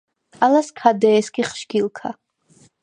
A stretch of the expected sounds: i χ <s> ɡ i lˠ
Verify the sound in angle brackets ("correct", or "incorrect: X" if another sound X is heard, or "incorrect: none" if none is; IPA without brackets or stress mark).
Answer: incorrect: ʃ